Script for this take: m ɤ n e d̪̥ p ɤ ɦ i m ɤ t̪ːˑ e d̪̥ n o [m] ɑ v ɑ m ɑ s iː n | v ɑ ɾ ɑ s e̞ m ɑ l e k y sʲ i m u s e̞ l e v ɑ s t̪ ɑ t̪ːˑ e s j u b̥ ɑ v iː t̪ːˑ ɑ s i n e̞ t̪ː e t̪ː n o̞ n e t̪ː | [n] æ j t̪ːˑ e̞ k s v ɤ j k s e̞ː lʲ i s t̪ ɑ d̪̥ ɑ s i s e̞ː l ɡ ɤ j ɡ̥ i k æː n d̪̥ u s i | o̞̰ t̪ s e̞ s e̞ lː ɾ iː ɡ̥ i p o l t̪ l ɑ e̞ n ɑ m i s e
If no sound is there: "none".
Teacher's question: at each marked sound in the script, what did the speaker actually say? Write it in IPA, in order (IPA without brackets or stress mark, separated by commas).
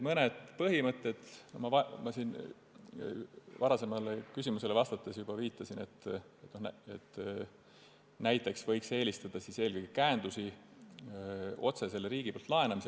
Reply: m, n